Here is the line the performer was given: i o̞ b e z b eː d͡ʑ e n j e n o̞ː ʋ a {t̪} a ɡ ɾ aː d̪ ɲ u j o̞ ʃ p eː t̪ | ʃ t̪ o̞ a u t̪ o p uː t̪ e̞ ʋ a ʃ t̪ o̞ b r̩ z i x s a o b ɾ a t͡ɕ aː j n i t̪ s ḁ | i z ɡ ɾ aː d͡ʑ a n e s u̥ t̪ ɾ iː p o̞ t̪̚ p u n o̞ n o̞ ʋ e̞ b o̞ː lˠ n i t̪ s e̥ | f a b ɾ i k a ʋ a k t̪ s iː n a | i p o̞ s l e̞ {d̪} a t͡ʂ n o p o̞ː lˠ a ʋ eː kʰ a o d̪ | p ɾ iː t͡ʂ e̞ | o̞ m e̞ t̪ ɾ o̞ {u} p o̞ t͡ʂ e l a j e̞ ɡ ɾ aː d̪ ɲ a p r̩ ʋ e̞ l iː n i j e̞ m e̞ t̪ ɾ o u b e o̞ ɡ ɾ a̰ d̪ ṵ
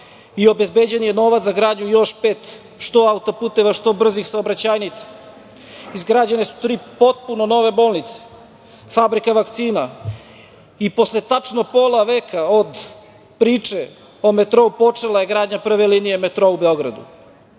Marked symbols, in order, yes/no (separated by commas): yes, no, yes